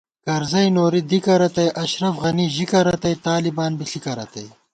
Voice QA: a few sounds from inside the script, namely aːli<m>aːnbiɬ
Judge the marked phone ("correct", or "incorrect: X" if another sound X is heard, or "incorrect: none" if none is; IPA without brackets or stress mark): incorrect: b